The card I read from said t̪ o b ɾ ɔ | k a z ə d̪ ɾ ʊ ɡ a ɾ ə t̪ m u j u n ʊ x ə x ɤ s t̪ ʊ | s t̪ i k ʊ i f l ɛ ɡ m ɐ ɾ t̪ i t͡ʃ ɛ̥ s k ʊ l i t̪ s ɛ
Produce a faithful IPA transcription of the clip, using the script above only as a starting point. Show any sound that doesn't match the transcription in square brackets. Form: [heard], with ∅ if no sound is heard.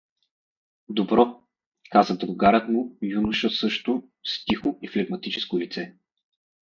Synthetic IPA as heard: [d̪] o b ɾ ɔ | k a z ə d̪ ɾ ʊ ɡ a ɾ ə t̪ m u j u n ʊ [ʃ] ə [s] ɤ [ʃ] t̪ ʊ | s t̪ i [x] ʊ i f l ɛ ɡ m ɐ [∅] t̪ i t͡ʃ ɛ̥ s k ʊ l i t̪ s ɛ

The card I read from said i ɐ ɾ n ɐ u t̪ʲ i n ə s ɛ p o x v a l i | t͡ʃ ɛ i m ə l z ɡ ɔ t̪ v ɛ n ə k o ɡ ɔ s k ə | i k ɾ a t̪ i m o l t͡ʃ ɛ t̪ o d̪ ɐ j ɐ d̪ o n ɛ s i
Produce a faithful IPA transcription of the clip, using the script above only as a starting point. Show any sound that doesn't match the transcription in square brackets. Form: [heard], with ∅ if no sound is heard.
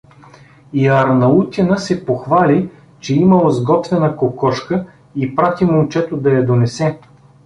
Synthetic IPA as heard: i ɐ ɾ n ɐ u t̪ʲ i n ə s ɛ p o x v a l i | t͡ʃ ɛ i m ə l z ɡ ɔ t̪ v ɛ n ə k o [k] ɔ [ʃ] k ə | i [p] ɾ a t̪ i m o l t͡ʃ ɛ t̪ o d̪ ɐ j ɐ d̪ o n ɛ s [ɛ]

